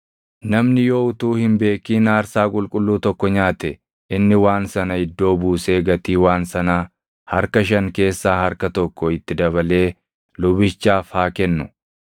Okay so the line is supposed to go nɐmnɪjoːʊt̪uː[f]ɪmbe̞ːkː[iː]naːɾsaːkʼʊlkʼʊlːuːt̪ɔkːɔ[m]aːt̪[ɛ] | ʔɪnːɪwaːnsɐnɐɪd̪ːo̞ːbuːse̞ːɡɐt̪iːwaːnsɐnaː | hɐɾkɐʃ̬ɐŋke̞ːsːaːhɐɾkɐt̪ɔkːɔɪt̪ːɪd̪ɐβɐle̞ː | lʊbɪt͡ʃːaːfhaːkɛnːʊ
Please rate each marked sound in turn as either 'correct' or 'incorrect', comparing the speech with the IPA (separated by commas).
incorrect, correct, incorrect, correct